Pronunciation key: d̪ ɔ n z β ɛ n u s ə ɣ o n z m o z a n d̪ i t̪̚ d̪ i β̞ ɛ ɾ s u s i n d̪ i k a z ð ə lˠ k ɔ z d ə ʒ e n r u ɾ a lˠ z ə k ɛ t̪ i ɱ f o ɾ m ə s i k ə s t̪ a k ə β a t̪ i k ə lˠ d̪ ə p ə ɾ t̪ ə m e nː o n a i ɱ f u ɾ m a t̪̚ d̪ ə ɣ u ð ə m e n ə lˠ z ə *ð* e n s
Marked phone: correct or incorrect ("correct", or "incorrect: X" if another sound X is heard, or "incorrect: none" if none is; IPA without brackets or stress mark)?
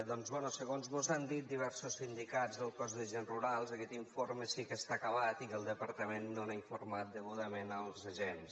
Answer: incorrect: ʒ